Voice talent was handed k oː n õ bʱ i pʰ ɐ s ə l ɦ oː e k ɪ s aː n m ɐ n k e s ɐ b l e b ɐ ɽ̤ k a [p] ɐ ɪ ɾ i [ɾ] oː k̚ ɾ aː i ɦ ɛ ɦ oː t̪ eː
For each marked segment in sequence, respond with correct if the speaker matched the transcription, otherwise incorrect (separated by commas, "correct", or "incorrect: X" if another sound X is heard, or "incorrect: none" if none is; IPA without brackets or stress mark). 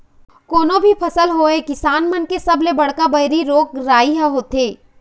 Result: incorrect: b, correct